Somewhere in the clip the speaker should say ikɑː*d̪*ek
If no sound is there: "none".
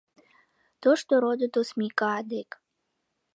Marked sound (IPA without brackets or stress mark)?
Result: d̪